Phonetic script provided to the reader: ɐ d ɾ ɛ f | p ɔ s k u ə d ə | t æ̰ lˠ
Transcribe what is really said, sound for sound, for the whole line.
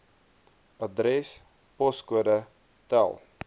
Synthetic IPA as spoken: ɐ d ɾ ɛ s | p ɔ s k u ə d ə | t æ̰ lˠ